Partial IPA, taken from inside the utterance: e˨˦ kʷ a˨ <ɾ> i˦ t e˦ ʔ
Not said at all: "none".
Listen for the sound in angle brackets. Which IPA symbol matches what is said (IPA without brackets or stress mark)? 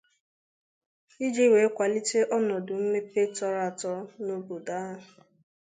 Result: l